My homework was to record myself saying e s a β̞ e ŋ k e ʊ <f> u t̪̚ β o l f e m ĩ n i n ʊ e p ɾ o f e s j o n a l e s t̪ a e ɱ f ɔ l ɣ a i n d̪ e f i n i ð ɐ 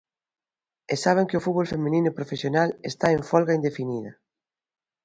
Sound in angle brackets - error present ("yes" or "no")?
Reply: no